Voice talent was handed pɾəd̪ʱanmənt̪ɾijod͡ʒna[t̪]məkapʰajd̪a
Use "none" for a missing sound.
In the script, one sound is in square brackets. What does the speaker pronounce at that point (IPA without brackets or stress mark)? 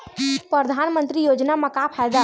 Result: none